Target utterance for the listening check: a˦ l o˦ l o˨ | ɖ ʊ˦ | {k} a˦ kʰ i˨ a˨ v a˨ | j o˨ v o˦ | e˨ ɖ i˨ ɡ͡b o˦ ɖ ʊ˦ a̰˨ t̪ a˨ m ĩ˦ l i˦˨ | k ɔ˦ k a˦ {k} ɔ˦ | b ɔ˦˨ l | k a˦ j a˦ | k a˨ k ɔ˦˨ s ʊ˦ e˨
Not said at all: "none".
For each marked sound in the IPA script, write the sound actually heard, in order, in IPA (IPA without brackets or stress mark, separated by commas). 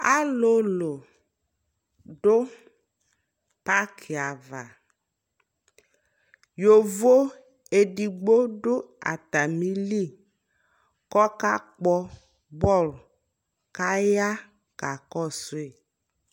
p, k͡p